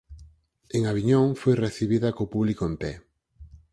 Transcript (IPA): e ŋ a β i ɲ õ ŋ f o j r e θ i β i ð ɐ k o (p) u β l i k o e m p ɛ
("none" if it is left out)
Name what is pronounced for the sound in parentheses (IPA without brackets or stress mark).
p